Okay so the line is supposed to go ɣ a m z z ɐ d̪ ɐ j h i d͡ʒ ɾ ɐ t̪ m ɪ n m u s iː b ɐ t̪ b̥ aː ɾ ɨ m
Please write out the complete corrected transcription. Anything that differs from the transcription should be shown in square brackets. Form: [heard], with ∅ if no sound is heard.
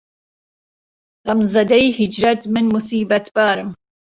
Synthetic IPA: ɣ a m z z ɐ d̪ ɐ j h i d͡ʒ ɾ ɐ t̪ m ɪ n m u s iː b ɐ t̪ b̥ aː ɾ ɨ m